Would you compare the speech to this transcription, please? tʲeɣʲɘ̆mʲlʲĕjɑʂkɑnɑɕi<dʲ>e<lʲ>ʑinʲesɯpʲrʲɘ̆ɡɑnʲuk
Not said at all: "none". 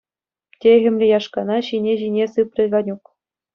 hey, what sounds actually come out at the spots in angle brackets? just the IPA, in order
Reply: nʲ, none

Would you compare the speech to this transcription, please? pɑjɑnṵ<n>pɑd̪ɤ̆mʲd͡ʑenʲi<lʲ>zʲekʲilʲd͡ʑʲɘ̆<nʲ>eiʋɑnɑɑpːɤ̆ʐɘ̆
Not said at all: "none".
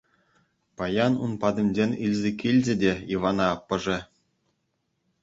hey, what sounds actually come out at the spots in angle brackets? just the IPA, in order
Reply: n, lʲ, dʲ

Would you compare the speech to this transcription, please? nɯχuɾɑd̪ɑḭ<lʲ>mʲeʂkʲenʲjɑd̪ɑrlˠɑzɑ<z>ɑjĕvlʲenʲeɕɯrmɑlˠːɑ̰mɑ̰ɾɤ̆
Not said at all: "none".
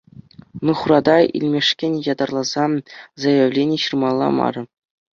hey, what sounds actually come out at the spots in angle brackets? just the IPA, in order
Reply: lʲ, z

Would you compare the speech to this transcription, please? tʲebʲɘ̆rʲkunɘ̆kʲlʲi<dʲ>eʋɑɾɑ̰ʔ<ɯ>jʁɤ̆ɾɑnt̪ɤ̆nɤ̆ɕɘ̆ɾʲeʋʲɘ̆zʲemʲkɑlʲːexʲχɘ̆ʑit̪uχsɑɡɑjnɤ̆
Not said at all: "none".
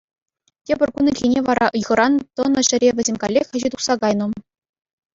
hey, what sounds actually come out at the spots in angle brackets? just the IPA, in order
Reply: nʲ, ɯ

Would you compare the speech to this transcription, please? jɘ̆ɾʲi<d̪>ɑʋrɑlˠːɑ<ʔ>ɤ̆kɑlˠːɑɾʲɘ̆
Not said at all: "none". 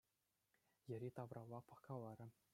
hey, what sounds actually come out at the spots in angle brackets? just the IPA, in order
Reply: t̪, p

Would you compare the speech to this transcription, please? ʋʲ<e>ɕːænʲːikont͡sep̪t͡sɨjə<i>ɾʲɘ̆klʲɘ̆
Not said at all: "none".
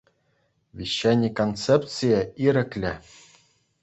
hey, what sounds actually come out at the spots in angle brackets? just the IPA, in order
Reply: i, i

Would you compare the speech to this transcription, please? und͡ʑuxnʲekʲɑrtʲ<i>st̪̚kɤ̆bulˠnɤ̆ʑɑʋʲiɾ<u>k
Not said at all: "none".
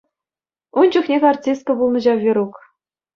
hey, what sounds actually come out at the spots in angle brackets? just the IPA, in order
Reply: i, u

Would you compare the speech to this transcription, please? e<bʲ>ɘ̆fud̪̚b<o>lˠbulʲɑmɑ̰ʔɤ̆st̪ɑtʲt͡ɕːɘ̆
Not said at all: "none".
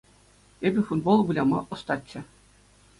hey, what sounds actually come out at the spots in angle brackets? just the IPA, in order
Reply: bʲ, o

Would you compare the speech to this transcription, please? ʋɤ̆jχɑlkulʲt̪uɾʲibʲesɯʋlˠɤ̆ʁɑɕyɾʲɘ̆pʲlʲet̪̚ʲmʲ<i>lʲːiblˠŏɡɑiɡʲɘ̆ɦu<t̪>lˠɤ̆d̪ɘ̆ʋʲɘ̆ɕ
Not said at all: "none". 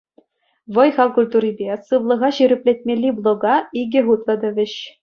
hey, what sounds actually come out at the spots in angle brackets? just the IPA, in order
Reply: e, t̪

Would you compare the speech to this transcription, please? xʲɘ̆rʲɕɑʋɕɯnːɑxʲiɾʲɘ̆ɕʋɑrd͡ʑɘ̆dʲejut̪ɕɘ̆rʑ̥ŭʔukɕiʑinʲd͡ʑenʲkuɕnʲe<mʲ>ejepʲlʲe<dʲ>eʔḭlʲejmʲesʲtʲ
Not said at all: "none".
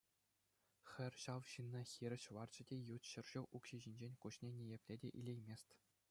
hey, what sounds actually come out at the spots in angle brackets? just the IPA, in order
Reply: nʲ, dʲ

